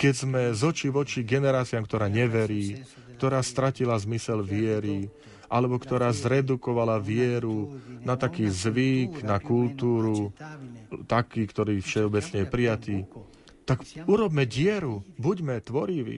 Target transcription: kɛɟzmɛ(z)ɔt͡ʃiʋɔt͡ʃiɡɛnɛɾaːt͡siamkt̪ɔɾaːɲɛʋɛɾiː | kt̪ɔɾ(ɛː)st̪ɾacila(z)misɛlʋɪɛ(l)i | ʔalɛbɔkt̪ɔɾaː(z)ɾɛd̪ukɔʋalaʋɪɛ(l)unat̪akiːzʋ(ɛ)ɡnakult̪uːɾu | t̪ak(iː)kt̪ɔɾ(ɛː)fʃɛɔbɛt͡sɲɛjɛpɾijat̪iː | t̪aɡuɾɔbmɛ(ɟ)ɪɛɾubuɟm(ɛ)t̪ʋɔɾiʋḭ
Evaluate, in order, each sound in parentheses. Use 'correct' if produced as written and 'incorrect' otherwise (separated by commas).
correct, incorrect, correct, incorrect, correct, incorrect, incorrect, correct, incorrect, correct, correct